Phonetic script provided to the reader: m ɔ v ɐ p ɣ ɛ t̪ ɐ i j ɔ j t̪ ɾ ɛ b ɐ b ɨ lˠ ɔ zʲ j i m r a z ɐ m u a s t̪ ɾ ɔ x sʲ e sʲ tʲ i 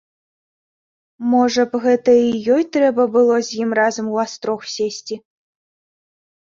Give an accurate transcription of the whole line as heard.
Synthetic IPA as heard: m ɔ ʐ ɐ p ɣ ɛ t̪ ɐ i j ɔ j t̪ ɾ ɛ b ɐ b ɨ lˠ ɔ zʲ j i m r a z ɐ m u a s t̪ ɾ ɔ x sʲ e sʲ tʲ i